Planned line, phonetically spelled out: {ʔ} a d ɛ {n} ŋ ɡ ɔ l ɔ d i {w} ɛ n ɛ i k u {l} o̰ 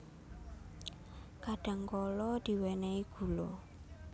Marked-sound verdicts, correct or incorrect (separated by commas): incorrect, incorrect, correct, correct